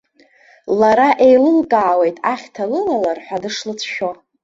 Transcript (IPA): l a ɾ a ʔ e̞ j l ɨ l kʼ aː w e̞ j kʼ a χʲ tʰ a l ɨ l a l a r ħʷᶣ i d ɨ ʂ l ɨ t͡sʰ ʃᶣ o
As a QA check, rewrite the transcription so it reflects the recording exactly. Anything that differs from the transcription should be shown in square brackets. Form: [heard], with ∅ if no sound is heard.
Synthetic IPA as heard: l a ɾ a ʔ e̞ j l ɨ l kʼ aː w e̞ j [tʼ] a χʲ tʰ a l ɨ l a l a r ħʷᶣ [a] d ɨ ʂ l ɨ t͡sʰ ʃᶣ o